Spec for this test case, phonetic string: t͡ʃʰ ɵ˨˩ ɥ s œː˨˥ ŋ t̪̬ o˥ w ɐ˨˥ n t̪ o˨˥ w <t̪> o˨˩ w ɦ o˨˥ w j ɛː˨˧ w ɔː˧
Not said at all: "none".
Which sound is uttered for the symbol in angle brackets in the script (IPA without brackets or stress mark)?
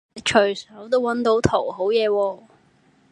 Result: t̪ʰ